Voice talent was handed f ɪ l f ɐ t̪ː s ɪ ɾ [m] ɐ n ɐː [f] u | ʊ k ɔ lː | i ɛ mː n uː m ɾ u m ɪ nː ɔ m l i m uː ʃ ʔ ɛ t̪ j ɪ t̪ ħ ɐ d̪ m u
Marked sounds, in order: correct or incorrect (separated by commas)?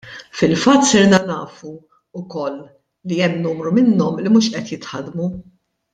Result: incorrect, correct